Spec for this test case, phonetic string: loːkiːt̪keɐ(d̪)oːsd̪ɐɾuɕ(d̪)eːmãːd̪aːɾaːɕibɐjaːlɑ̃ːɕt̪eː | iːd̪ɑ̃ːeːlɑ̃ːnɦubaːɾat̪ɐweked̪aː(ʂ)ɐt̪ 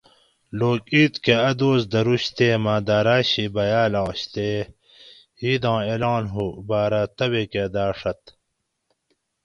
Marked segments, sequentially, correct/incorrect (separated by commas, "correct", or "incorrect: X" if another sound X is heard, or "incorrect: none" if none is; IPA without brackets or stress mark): correct, incorrect: t̪, correct